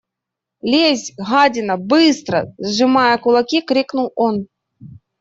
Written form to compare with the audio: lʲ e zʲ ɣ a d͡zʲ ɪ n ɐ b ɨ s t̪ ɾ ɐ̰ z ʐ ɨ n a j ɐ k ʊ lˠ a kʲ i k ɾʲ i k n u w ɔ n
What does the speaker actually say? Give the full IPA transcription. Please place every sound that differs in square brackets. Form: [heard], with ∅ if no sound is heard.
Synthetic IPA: lʲ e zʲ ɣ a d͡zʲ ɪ n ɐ b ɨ s t̪ ɾ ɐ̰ z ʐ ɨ [m] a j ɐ k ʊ lˠ a kʲ i k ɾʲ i k n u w ɔ n